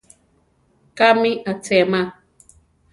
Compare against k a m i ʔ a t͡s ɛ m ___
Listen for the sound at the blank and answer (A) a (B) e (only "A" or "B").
A